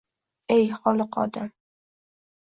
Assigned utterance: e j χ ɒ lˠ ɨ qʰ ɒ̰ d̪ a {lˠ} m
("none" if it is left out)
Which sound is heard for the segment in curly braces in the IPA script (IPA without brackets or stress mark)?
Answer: none